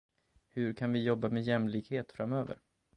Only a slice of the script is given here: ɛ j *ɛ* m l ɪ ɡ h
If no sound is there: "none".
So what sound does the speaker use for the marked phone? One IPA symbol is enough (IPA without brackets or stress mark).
ɛ